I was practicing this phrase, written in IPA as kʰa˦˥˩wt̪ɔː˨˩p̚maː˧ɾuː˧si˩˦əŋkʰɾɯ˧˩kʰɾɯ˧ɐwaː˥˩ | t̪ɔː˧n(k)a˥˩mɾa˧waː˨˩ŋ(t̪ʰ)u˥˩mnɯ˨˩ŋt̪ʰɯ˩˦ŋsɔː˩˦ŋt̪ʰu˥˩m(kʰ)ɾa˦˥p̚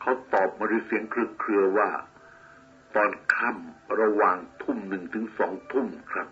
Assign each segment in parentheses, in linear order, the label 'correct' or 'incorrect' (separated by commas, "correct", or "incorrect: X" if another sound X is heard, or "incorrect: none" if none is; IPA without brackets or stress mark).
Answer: incorrect: kʰ, correct, correct